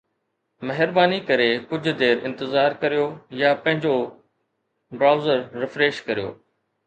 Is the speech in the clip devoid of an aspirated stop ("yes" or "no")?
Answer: yes